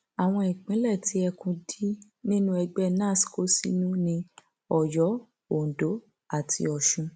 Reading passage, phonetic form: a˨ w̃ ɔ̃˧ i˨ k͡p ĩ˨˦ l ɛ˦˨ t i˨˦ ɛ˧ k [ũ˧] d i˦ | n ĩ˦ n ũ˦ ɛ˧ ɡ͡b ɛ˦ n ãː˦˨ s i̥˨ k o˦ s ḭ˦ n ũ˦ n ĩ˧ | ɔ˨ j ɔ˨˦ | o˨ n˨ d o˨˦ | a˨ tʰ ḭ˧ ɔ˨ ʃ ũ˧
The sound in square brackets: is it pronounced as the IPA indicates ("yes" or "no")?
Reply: yes